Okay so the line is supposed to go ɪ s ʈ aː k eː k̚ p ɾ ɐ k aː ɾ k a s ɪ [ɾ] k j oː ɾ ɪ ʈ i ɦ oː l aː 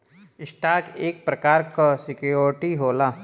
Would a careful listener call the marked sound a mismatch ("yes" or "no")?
yes